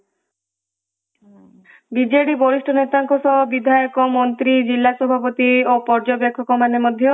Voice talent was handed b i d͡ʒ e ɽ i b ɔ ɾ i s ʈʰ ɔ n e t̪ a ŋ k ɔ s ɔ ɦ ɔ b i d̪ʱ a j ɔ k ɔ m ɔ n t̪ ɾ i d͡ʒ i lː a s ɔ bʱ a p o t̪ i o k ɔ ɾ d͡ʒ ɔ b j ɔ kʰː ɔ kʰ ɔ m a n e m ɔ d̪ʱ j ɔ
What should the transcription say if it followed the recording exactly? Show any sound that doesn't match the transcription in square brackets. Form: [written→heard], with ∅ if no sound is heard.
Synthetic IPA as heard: b i d͡ʒ e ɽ i b ɔ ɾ i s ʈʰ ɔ n e t̪ a ŋ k ɔ s ɔ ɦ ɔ b i d̪ʱ a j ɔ k ɔ m ɔ n t̪ ɾ i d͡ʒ i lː a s ɔ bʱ a p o t̪ i o [k→p] ɔ ɾ d͡ʒ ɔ b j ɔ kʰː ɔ [kʰ→k] ɔ m a n e m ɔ d̪ʱ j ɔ